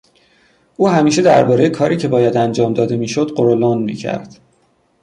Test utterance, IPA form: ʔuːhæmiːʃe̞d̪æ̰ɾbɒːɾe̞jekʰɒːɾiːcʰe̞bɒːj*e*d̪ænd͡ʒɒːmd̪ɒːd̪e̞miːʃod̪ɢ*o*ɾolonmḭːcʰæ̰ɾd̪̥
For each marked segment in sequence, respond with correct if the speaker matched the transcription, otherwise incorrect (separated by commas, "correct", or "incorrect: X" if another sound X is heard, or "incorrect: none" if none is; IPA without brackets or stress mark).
incorrect: æ, correct